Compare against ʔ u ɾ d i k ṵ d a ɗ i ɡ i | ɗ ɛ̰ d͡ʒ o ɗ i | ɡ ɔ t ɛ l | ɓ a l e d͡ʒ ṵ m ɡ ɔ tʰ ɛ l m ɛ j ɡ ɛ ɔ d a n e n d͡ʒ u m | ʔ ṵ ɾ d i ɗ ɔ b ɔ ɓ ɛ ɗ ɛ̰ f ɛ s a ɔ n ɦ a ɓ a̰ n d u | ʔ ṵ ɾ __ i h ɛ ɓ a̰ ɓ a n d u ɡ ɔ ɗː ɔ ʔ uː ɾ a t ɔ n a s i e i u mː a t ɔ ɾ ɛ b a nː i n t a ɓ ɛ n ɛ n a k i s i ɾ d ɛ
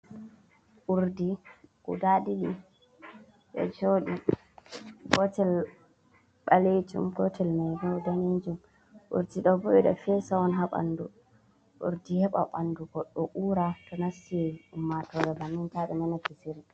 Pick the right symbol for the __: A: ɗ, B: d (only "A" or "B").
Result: B